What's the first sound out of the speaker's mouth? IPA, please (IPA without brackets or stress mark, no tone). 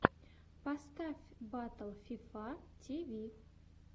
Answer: p